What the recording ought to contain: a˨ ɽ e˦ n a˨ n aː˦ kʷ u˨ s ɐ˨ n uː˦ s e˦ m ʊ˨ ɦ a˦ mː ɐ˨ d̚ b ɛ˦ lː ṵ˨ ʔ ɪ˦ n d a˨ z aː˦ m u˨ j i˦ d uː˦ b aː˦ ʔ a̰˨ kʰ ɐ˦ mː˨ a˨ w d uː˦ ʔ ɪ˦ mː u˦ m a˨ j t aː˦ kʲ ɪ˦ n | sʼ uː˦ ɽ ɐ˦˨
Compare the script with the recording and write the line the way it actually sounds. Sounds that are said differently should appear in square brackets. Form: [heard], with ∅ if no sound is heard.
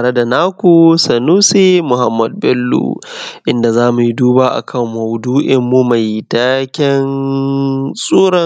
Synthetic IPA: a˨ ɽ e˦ [d] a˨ n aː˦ kʷ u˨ s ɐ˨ n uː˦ s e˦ m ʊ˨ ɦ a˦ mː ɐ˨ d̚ b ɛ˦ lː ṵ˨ ʔ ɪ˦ n d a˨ z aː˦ m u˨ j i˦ d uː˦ b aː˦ ʔ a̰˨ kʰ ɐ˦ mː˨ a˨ w d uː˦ ʔ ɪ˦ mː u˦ m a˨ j t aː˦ kʲ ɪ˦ n | sʼ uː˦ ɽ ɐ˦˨